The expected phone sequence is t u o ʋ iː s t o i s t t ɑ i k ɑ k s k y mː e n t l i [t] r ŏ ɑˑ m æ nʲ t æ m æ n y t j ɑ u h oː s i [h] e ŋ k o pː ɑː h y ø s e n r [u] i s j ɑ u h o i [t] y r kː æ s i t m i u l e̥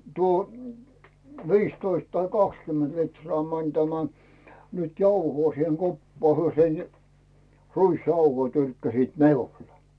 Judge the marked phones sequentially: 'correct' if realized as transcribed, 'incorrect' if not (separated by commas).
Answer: correct, correct, correct, correct